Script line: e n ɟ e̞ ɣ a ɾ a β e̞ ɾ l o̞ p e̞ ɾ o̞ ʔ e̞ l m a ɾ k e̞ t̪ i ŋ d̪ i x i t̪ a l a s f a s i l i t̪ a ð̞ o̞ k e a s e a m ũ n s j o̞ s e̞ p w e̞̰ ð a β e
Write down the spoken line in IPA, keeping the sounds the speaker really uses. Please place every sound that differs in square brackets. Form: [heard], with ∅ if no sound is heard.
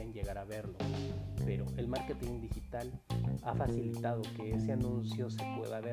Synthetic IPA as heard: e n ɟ e̞ ɣ a ɾ a β e̞ ɾ l o̞ p e̞ ɾ o̞ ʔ e̞ l m a ɾ k e̞ t̪ i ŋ d̪ i x i t̪ a l a [∅] f a s i l i t̪ a ð̞ o̞ k e [e] s e a [n] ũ n s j o̞ s e̞ p w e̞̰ ð a β e